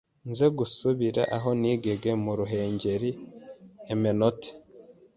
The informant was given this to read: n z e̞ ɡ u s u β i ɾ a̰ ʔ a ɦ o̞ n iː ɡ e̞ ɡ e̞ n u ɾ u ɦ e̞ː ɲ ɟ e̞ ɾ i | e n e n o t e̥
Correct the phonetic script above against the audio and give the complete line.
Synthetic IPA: n z e̞ ɡ u s u β i ɾ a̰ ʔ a ɦ o̞ n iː ɡ e̞ ɡ e̞ m u ɾ u ɦ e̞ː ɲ ɟ e̞ ɾ i | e m e n o t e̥